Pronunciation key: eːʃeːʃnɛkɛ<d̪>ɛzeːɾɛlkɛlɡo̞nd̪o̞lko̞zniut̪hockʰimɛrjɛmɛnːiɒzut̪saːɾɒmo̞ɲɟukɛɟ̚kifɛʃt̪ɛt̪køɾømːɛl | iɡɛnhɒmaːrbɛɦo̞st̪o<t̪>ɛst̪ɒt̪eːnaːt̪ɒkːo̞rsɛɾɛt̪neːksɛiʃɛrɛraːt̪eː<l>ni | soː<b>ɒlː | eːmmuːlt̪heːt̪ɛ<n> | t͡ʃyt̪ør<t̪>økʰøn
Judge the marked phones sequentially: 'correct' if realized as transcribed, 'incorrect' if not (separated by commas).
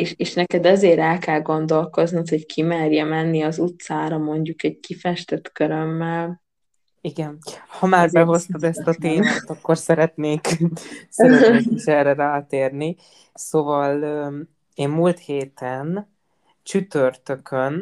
correct, incorrect, incorrect, incorrect, correct, correct